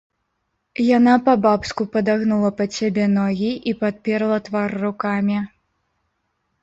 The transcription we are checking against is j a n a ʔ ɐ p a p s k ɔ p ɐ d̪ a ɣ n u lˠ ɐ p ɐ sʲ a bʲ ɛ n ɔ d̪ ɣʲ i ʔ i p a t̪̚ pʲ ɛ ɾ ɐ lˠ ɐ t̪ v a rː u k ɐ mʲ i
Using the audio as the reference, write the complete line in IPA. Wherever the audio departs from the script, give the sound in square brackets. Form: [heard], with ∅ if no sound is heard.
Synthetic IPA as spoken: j a n a [p] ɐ [b] a p s k [u] p ɐ d̪ a ɣ n u lˠ ɐ p ɐ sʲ a bʲ ɛ n ɔ [∅] ɣʲ i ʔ i p a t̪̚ pʲ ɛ ɾ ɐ lˠ ɐ t̪ v a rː u k [a] mʲ i